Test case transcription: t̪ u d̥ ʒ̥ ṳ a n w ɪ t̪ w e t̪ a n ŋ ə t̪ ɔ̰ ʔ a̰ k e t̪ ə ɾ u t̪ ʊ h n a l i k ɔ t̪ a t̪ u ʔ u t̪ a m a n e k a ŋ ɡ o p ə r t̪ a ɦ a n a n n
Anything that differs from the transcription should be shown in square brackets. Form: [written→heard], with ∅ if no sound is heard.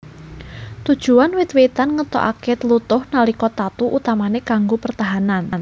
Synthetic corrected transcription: t̪ u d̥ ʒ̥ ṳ a n w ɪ t̪ w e t̪ a n ŋ ə t̪ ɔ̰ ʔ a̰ k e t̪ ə [ɾ→l] u t̪ ʊ h n a l i k ɔ t̪ a t̪ u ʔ u t̪ a m a n e k a ŋ ɡ o p ə r t̪ a ɦ a n a n n